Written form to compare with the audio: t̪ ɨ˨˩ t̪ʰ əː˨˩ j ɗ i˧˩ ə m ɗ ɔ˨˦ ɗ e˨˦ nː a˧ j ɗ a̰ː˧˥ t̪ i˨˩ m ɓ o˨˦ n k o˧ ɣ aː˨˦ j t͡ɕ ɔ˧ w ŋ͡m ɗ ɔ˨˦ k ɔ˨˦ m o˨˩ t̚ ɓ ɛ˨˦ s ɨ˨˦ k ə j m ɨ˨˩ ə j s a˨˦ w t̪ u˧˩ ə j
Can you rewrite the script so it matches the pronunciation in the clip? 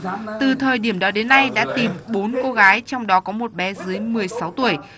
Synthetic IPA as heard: t̪ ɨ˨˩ t̪ʰ əː˨˩ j ɗ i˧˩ ə m ɗ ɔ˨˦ ɗ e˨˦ nː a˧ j ɗ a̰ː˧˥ t̪ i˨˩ m ɓ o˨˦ n k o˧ ɣ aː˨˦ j t͡ɕ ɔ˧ w ŋ͡m ɗ ɔ˨˦ k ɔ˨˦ m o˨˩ t̚ ɓ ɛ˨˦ z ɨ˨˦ ə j m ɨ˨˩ ə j s a˨˦ w t̪ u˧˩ ə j